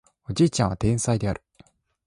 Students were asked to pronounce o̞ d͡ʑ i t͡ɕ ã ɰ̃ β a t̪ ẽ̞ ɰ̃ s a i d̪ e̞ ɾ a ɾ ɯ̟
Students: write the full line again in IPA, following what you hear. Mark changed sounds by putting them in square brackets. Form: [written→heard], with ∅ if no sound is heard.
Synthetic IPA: o̞ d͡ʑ [i→iː] t͡ɕ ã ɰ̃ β a t̪ ẽ̞ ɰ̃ s a i d̪ e̞ [ɾ→∅] a ɾ ɯ̟